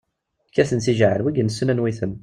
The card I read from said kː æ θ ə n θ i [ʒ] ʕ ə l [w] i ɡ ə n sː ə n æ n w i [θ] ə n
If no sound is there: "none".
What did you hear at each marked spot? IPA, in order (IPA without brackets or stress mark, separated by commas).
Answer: ʒ, w, θ